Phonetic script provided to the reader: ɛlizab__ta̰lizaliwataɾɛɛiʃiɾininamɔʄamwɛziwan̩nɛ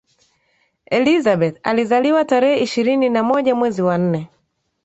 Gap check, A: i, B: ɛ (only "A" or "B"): B